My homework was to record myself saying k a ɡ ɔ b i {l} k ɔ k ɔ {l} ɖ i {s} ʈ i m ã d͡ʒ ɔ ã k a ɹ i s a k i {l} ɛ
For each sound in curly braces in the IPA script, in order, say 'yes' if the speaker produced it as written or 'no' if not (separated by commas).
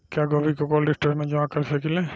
no, yes, yes, yes